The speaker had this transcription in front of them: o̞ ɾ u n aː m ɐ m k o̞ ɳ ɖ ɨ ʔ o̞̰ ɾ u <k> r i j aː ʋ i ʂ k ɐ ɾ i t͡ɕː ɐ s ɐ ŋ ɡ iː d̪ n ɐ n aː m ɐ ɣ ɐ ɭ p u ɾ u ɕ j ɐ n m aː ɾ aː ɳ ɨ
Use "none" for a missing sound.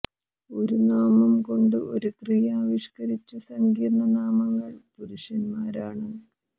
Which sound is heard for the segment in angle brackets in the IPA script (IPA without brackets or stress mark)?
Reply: k